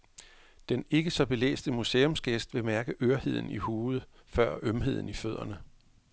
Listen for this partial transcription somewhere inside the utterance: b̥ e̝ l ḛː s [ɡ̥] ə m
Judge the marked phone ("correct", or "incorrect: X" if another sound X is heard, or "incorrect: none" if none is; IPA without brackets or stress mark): incorrect: d̥